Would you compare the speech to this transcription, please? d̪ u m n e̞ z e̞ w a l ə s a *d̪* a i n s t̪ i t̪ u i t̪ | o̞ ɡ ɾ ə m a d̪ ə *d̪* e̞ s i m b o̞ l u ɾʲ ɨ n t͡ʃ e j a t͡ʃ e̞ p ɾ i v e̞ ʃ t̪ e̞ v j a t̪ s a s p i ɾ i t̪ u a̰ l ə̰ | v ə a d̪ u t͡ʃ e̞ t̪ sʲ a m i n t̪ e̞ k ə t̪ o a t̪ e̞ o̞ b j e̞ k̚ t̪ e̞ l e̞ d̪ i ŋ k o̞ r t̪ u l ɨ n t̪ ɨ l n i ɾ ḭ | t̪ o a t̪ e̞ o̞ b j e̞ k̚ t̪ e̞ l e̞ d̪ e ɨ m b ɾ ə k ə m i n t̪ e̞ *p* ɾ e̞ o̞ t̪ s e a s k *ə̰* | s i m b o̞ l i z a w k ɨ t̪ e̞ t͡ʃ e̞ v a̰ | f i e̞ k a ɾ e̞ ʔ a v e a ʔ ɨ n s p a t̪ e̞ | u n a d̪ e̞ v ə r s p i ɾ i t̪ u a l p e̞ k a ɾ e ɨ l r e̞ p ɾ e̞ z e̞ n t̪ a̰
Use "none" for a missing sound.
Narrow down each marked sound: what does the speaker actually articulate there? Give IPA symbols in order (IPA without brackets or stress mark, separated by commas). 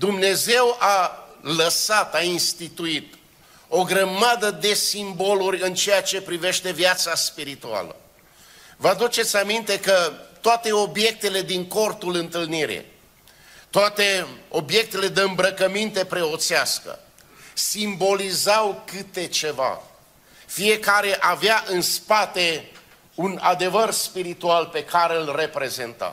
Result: t̪, d̪, p, ə̰